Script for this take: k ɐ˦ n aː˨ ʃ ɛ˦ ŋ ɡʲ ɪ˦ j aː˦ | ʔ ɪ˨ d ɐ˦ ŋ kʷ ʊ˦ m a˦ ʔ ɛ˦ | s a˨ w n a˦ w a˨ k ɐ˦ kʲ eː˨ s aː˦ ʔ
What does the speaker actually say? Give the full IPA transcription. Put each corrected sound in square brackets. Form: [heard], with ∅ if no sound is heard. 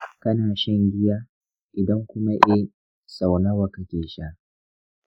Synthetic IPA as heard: k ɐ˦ n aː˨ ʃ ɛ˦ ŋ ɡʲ ɪ˦ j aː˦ | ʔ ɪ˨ d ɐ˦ ŋ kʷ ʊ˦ m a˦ ʔ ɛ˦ | s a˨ w n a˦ w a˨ k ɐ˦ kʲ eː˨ [ʃ] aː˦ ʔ